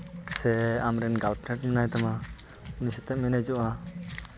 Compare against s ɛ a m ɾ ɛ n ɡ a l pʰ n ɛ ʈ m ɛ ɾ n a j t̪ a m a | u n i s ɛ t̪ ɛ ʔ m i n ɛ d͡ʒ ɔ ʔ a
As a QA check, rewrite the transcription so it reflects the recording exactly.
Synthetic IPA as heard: s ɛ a m ɾ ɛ n ɡ a l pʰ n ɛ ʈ m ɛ n a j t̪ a m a | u n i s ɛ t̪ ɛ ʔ m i n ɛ d͡ʒ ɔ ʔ a